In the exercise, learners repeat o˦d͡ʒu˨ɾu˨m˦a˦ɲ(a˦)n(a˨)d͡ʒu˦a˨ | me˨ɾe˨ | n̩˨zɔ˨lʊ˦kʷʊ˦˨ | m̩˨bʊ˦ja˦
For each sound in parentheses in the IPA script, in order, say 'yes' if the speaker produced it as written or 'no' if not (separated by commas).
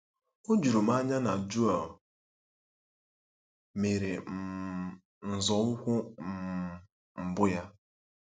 yes, yes